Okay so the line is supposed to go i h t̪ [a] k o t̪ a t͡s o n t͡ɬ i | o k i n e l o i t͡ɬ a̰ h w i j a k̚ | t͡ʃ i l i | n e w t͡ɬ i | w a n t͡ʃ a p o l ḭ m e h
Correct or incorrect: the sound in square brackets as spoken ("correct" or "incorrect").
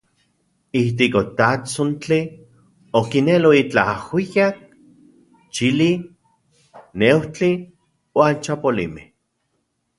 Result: incorrect